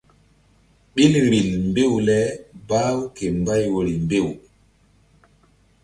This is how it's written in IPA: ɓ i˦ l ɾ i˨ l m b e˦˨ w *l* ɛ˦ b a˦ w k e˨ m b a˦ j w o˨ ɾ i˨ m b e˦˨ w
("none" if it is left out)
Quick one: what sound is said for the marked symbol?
l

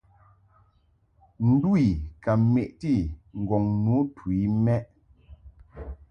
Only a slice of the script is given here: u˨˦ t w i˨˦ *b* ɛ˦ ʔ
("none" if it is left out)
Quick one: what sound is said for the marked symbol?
m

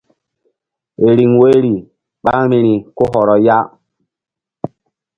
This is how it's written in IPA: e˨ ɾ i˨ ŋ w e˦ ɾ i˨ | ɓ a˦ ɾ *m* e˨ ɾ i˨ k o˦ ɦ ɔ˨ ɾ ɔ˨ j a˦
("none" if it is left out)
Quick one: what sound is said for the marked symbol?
m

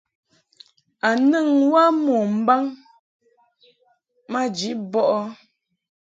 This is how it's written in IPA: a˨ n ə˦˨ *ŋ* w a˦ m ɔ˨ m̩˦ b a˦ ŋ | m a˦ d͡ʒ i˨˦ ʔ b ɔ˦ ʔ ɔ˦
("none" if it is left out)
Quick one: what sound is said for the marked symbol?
ŋ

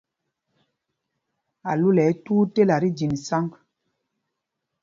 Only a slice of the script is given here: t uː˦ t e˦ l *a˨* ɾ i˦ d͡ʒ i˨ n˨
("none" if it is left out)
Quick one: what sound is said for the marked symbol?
a˨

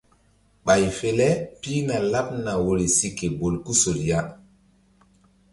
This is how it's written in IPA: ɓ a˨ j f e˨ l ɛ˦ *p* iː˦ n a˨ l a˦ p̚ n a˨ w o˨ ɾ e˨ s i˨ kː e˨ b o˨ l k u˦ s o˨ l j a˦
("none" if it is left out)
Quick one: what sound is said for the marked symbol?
p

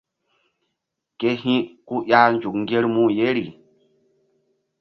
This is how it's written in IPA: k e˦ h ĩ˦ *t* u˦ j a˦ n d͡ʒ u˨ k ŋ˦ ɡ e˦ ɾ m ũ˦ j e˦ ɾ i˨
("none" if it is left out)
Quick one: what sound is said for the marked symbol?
k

